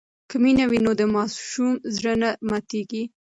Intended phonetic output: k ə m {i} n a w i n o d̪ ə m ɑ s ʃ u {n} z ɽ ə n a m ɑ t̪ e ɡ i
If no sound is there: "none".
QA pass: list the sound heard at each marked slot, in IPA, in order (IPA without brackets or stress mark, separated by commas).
i, m